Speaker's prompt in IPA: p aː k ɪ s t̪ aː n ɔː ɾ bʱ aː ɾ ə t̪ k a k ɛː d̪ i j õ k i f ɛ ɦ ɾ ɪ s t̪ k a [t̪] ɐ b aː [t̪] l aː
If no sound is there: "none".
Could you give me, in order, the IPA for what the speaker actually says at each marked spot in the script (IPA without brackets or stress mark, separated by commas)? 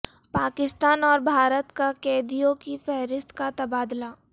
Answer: t̪, d̪